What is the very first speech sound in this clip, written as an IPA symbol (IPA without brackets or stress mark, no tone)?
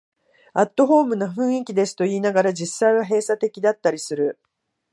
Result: a